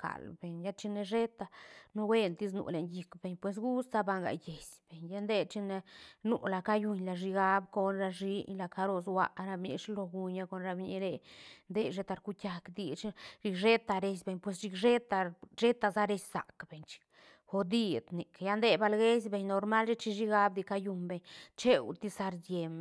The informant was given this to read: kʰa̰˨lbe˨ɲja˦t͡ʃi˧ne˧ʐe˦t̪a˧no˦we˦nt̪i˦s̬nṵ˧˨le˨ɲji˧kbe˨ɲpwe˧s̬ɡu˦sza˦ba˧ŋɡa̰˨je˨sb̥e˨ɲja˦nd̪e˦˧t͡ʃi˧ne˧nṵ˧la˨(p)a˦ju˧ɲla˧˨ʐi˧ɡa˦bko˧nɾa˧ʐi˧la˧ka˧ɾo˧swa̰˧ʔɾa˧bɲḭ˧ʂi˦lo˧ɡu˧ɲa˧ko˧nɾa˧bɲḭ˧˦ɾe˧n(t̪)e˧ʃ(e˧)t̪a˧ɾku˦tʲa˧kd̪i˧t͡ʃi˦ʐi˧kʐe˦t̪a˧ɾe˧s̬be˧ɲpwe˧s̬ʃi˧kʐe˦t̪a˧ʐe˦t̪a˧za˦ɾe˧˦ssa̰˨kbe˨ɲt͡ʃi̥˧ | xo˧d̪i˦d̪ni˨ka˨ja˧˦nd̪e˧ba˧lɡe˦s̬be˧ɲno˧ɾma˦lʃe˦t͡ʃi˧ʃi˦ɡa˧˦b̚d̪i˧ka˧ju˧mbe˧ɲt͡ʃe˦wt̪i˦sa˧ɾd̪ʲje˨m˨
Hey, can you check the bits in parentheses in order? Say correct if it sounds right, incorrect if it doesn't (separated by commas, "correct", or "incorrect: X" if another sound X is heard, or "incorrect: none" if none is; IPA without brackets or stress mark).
incorrect: k, incorrect: d̪, correct